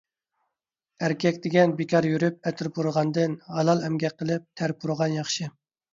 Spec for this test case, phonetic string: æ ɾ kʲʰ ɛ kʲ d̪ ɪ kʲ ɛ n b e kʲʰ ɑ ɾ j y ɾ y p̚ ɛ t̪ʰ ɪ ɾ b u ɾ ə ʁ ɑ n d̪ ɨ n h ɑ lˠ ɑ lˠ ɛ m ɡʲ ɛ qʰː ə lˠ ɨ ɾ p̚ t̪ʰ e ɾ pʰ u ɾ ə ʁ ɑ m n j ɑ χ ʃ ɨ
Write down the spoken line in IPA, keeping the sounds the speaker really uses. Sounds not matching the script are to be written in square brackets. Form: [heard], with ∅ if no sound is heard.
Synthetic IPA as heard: æ ɾ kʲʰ ɛ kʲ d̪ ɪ [ɡʲ] ɛ n b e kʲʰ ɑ ɾ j y ɾ y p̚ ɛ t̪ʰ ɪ ɾ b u ɾ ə ʁ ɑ n d̪ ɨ n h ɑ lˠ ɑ lˠ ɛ m ɡʲ ɛ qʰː ə lˠ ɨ [∅] p̚ t̪ʰ [æ] ɾ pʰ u ɾ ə ʁ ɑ [∅] n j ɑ χ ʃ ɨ